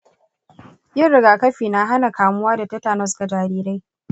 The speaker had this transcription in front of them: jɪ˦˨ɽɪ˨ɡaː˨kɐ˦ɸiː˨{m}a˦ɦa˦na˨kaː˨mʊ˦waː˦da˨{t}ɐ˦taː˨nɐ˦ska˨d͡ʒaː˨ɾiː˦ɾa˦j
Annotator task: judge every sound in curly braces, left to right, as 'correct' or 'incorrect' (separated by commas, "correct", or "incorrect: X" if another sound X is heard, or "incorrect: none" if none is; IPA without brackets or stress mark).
incorrect: n, correct